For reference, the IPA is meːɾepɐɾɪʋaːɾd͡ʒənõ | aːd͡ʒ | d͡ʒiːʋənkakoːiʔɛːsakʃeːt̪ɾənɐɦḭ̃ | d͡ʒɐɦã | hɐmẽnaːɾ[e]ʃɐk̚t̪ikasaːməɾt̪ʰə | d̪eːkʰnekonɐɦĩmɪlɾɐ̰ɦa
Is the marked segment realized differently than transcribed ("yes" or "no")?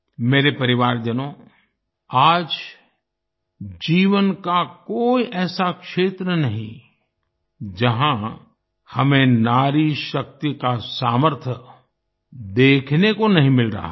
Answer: yes